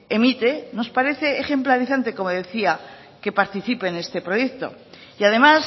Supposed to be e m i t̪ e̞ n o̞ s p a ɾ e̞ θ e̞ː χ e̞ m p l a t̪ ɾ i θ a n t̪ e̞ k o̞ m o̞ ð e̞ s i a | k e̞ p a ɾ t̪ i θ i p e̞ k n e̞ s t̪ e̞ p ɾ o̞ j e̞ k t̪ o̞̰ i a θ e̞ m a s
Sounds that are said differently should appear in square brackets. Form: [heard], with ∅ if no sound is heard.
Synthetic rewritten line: e m i t̪ e̞ n o̞ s p a ɾ e̞ θ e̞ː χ e̞ m p l a [∅] ɾ i θ a n t̪ e̞ k o̞ m o̞ ð e̞ [θ] i a | k e̞ p a ɾ t̪ i θ i p e̞ [∅] n e̞ s t̪ e̞ p ɾ o̞ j e̞ k t̪ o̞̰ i a [ð] e̞ m a s

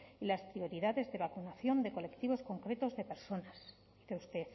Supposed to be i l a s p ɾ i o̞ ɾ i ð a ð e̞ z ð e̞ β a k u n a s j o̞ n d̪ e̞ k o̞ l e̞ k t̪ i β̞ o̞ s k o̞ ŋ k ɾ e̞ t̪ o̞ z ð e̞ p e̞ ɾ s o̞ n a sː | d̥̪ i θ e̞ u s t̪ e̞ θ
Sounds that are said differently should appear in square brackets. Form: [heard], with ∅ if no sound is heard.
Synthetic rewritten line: i l a s p ɾ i o̞ ɾ i ð a ð e̞ z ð e̞ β a k u n a [θ] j o̞ n d̪ e̞ k o̞ l e̞ k t̪ i β̞ o̞ s k o̞ ŋ k ɾ e̞ t̪ o̞ z ð e̞ p e̞ ɾ s o̞ n a [s] | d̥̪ i θ e̞ u s t̪ e̞ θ

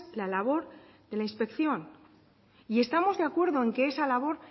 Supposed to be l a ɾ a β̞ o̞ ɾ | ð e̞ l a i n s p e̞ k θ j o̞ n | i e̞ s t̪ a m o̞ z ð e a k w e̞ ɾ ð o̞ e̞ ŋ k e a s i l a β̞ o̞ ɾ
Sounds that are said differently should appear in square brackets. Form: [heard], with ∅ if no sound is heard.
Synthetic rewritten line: l a [l] a β̞ o̞ ɾ | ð e̞ l a i n s p e̞ k θ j o̞ n | i e̞ s t̪ a m o̞ z ð e a k w e̞ ɾ ð o̞ e̞ ŋ k e [e] s [a] l a β̞ o̞ ɾ

